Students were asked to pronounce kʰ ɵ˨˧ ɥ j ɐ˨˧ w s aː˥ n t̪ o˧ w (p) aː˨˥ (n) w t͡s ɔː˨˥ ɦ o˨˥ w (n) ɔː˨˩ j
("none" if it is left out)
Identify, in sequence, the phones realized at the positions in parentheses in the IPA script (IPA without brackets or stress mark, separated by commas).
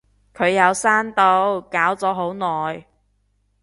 k, none, n